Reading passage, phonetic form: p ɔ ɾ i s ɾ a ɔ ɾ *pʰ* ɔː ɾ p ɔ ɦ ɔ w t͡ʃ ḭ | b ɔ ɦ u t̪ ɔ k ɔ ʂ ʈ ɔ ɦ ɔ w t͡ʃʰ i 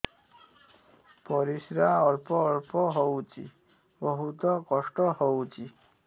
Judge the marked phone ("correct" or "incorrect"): incorrect